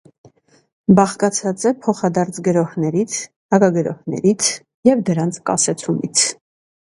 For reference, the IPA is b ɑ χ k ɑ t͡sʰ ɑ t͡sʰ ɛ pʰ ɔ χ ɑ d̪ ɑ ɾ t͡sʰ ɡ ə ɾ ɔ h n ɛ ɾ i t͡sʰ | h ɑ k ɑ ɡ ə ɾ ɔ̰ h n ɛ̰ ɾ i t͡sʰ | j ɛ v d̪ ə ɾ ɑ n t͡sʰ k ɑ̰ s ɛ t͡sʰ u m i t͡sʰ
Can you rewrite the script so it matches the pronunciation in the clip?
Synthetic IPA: b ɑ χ k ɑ t͡sʰ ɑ t͡s ɛ pʰ ɔ χ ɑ d̪ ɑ ɾ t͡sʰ ɡ ə ɾ ɔ h n ɛ ɾ i t͡sʰ | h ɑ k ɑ ɡ ə ɾ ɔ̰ h n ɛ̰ ɾ i t͡sʰ | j ɛ v d̪ ə ɾ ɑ n t͡sʰ k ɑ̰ s ɛ t͡sʰ u m i t͡sʰ